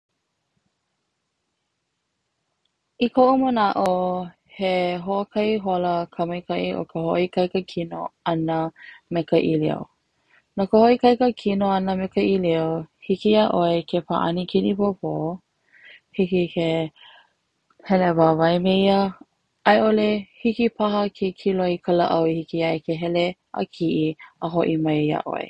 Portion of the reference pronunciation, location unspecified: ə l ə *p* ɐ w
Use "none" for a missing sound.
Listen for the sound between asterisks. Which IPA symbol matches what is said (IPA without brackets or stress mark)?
ʔ